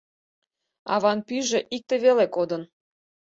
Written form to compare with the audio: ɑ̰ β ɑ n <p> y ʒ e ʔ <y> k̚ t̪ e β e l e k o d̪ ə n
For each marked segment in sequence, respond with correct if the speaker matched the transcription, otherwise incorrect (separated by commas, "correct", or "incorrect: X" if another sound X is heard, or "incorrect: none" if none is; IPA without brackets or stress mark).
correct, incorrect: i